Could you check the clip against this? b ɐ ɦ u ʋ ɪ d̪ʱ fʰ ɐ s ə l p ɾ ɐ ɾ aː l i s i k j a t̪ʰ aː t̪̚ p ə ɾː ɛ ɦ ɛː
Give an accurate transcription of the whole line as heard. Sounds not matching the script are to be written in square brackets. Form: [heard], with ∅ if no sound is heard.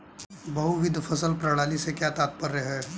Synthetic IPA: b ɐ ɦ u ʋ ɪ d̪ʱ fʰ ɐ s ə l p ɾ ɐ [ɽ] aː l i s [e] k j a [t̪] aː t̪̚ p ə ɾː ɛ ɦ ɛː